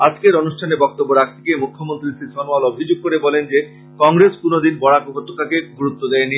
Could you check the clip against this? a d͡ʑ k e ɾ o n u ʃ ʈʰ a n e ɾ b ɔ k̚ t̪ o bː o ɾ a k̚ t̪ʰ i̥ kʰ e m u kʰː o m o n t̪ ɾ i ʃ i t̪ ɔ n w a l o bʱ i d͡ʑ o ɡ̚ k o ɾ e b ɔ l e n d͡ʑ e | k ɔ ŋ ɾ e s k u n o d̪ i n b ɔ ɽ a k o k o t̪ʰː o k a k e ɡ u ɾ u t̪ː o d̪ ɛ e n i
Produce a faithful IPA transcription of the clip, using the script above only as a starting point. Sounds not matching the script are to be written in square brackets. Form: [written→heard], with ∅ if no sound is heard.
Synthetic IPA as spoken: a d͡ʑ k e ɾ o n u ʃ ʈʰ a n e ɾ b ɔ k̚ t̪ o bː o ɾ a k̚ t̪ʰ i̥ [kʰ→k] e m u kʰː o m o n t̪ ɾ i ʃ i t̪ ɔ n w a l o bʱ i d͡ʑ o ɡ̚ k o ɾ e b ɔ l e n d͡ʑ e | k ɔ ŋ ɾ e s k u n o d̪ i n b ɔ ɽ a k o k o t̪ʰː o k a k e ɡ u ɾ u t̪ː o d̪ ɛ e n i